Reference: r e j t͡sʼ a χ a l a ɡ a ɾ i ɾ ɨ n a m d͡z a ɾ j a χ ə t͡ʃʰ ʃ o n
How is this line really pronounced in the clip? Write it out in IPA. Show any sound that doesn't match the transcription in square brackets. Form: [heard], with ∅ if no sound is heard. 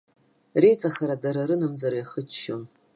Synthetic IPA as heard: r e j t͡sʼ a χ a [ɾ] a [d] a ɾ [a] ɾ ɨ n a m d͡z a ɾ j a χ ə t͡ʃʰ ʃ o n